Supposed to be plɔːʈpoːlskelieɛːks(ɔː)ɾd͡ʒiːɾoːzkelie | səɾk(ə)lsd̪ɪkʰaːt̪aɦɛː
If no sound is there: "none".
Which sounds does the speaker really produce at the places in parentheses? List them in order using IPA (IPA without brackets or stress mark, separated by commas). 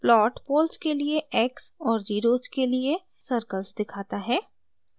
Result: ɔː, ə